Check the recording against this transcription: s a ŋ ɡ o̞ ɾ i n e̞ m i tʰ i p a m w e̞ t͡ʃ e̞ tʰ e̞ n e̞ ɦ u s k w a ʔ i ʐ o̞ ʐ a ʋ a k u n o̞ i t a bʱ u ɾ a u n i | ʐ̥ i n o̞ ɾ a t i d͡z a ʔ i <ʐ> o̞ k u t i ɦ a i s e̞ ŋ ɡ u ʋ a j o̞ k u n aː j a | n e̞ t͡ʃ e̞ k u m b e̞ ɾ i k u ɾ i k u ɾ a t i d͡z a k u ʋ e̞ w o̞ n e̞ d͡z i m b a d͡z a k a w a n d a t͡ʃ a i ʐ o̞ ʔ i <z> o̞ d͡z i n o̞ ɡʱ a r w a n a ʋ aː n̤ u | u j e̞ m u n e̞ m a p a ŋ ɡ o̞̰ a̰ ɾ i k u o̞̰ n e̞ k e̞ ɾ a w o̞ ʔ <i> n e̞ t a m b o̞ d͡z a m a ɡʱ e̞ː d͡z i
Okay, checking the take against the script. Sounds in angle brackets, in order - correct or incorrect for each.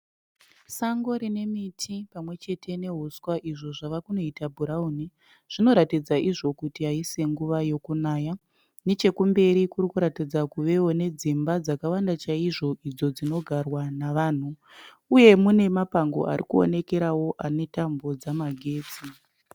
correct, incorrect, incorrect

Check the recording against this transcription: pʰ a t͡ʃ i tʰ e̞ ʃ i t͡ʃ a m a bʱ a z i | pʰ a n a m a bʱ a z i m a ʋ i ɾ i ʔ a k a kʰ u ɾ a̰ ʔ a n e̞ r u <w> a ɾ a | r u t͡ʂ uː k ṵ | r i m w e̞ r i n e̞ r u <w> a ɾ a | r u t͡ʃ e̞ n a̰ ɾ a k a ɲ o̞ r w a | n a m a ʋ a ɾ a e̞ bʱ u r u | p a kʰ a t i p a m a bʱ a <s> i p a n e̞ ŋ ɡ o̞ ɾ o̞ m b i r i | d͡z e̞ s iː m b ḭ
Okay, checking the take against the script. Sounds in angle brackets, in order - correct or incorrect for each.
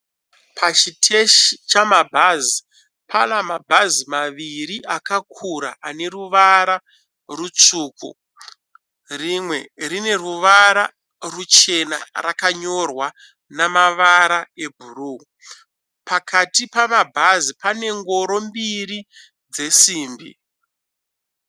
incorrect, incorrect, incorrect

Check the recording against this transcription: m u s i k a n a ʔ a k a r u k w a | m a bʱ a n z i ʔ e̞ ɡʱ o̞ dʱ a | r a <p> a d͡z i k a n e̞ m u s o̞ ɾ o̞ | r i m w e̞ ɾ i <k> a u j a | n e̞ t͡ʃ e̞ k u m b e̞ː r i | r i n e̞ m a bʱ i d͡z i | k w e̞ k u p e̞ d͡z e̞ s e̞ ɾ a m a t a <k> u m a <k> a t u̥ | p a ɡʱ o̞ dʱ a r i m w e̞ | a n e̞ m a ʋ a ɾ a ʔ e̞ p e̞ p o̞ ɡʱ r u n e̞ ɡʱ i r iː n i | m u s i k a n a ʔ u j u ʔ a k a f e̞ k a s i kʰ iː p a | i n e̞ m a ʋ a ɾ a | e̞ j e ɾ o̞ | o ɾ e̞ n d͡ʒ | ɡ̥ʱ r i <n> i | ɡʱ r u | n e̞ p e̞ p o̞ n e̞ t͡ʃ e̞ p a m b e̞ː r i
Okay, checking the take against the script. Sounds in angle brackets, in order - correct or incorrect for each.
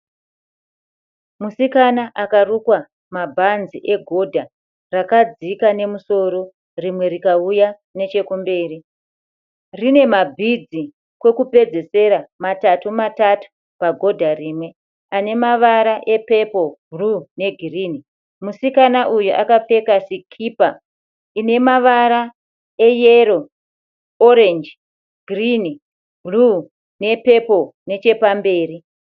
incorrect, correct, incorrect, incorrect, correct

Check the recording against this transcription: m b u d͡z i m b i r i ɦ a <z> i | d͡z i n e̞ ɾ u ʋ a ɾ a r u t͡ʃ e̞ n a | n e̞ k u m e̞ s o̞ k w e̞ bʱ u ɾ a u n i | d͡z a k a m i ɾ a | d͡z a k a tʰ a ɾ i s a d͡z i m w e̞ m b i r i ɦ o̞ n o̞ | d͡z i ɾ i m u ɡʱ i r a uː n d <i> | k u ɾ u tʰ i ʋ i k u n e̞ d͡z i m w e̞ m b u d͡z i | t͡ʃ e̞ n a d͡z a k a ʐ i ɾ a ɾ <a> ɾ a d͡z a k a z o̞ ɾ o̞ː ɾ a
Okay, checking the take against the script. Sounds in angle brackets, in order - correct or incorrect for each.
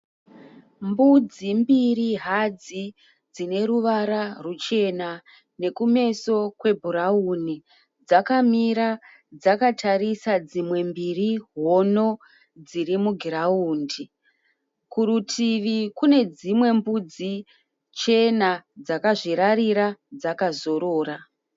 incorrect, correct, incorrect

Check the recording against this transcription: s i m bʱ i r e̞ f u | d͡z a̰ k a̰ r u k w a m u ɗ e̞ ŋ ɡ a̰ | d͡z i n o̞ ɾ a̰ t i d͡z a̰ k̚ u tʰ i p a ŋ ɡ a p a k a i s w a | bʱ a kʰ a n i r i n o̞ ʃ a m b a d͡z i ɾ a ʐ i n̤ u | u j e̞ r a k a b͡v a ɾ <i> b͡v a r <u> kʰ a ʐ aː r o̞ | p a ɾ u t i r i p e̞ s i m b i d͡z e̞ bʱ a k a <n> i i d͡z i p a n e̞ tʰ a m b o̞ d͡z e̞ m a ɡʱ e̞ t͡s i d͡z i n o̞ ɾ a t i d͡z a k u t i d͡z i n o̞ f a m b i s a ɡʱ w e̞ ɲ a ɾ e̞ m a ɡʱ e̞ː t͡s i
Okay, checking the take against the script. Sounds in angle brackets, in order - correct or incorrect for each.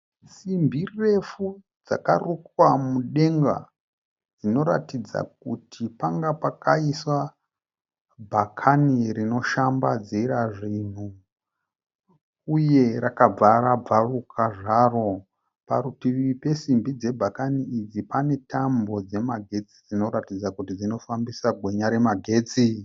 incorrect, correct, correct

